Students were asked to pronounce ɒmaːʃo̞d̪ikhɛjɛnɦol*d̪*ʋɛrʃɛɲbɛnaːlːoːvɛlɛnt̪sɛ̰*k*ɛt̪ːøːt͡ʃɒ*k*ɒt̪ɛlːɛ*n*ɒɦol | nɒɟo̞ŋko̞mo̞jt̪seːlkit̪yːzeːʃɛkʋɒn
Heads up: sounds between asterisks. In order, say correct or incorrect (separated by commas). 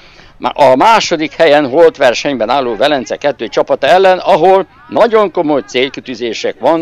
incorrect, correct, incorrect, correct